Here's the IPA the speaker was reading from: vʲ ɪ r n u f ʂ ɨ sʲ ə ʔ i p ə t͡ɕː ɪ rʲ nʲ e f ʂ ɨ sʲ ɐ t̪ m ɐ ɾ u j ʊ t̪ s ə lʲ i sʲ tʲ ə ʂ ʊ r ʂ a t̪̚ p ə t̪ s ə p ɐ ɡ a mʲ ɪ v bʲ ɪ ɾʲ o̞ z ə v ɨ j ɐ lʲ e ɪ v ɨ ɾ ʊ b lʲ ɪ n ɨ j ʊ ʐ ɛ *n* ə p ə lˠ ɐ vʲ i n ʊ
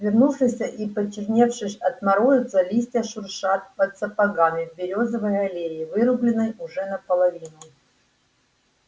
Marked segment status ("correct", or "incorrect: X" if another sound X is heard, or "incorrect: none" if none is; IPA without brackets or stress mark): correct